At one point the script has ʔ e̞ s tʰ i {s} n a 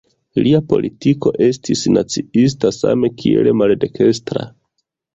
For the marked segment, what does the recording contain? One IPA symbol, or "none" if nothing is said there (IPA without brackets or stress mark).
s